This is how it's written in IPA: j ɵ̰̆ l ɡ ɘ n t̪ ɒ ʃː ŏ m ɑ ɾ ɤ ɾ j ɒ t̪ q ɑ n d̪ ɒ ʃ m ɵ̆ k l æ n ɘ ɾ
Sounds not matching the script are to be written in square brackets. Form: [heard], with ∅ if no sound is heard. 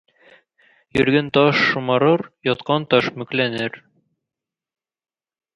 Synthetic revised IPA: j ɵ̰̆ [ɾ] ɡ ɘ n t̪ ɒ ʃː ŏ m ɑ ɾ ɤ ɾ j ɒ t̪ q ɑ n [t̪] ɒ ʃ m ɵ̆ k l æ n ɘ ɾ